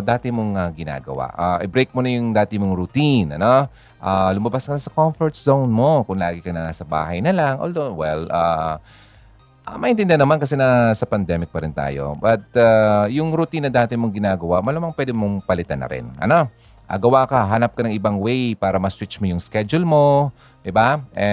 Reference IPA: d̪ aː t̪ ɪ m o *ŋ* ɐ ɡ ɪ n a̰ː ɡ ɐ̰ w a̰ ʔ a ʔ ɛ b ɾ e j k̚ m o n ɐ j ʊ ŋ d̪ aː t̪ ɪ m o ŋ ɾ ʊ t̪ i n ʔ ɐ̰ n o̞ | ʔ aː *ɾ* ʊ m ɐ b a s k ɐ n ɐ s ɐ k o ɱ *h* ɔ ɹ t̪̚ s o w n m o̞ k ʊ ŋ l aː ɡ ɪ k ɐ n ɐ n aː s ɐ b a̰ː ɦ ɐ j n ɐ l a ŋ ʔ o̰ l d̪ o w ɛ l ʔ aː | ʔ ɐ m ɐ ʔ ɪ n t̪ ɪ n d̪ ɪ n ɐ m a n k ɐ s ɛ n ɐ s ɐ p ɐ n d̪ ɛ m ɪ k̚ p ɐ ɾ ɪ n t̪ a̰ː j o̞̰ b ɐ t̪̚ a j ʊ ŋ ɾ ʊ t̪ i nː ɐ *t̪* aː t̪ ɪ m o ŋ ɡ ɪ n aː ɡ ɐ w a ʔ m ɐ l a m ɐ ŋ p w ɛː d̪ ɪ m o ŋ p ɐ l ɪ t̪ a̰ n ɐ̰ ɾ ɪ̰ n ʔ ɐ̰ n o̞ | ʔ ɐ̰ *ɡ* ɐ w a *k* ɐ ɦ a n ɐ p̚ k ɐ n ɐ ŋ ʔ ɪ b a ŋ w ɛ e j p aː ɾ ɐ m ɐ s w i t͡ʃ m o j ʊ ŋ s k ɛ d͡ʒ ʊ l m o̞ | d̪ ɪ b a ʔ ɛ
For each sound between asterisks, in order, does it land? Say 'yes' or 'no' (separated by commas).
yes, no, no, no, yes, yes